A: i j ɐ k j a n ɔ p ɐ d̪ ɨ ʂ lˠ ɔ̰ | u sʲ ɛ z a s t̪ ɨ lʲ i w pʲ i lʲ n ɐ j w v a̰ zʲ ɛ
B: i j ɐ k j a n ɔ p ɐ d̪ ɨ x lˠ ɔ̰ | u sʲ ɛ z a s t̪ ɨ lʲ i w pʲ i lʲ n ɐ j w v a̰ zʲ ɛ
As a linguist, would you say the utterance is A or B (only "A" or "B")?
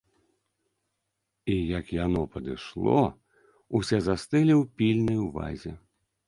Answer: A